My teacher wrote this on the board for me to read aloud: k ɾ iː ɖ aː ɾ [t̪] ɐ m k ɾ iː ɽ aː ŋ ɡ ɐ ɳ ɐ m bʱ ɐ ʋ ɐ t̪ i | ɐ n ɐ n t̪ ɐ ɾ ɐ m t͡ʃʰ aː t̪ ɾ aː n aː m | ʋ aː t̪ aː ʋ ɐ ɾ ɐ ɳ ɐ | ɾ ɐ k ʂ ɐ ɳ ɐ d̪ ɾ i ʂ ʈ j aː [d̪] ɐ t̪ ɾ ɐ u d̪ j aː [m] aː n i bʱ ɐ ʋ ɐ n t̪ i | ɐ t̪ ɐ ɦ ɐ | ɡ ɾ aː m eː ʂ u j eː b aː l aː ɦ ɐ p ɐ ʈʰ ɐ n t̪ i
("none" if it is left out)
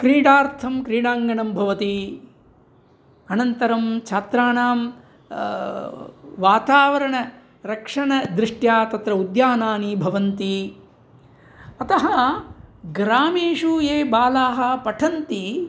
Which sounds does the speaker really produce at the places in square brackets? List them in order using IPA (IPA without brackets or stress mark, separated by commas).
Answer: t̪ʰ, t̪, n